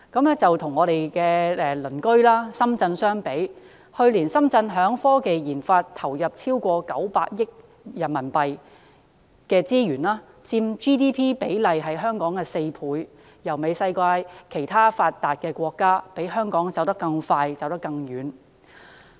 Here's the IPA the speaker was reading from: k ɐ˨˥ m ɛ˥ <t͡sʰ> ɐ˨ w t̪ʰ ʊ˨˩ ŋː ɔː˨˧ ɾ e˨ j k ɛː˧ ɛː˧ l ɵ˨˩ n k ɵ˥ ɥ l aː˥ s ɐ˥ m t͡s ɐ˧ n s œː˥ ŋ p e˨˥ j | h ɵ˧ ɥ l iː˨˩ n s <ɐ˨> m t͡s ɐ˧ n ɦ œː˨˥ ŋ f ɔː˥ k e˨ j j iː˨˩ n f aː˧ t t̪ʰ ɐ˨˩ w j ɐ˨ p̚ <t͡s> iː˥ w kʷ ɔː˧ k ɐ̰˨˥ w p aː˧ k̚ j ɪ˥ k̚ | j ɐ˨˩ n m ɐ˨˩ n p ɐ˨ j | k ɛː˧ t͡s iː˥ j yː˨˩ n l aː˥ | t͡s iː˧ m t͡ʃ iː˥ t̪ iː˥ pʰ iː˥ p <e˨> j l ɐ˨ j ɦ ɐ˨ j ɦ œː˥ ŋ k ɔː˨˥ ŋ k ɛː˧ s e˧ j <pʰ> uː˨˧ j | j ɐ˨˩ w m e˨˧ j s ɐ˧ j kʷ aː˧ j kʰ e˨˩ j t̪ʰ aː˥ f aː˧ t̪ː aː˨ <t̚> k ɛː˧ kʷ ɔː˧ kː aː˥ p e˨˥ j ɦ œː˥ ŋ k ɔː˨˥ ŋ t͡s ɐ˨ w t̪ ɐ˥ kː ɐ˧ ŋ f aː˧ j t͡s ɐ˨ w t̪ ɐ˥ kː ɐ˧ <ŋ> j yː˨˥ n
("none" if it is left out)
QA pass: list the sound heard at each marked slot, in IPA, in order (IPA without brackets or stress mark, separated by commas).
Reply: t͡s, ɐ˥, t͡sʰ, e˨˥, pʰ, t̚, ŋ